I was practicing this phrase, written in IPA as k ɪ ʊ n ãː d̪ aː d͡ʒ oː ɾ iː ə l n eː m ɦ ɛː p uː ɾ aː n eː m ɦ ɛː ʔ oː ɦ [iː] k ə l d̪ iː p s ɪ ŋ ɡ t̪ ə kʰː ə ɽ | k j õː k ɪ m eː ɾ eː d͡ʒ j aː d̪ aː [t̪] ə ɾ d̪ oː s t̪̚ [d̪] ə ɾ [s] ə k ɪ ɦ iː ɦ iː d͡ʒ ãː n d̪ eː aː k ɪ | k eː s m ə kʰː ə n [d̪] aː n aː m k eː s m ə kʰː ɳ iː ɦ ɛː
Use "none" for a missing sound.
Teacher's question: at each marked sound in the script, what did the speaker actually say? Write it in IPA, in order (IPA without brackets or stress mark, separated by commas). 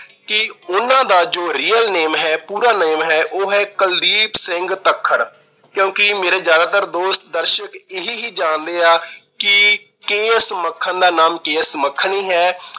ɛː, t̪, d̪, ʃ, d̪